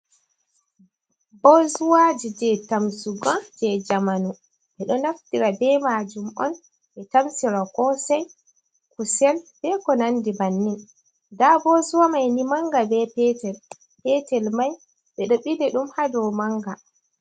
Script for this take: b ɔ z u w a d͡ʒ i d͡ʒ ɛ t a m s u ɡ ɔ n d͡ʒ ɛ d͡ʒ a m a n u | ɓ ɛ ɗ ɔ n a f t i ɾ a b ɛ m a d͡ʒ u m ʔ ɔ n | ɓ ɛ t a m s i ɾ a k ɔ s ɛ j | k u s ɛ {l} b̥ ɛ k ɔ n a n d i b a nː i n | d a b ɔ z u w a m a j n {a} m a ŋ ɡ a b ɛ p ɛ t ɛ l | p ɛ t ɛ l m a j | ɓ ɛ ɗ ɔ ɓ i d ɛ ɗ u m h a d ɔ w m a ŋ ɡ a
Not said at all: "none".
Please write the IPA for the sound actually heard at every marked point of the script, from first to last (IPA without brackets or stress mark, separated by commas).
l, i